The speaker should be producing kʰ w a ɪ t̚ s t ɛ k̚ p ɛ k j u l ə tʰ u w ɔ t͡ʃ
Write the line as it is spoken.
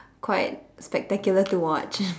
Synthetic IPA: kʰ w a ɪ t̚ s p ɛ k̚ t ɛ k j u l ə t u w ɔ t͡ʃ